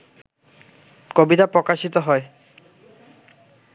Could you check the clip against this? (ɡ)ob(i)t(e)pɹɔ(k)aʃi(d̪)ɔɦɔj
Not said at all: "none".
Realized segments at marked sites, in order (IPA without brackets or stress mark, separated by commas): k, i, a, k, t̪